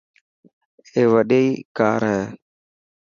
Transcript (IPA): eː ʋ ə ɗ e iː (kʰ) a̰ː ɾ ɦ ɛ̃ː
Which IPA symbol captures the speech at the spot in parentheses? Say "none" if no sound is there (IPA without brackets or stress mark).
k